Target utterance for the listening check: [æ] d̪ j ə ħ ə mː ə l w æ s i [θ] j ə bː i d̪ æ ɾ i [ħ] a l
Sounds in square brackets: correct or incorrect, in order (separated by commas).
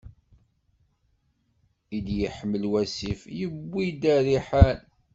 incorrect, incorrect, correct